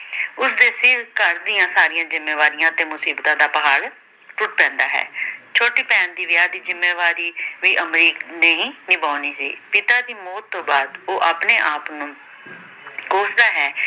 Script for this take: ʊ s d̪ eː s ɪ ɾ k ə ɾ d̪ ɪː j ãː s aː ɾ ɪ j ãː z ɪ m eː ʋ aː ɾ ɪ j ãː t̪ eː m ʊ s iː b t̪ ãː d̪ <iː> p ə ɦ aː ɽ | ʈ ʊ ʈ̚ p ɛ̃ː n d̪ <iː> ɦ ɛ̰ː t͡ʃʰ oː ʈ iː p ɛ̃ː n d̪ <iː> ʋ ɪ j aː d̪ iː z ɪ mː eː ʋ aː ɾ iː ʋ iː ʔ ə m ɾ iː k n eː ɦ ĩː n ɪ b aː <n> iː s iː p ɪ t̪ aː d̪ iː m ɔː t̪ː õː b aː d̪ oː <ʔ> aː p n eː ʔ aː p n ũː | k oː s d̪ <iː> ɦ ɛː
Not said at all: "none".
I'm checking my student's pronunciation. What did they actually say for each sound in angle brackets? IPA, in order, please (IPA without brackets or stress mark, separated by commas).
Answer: aː, aː, iː, n, ʔ, aː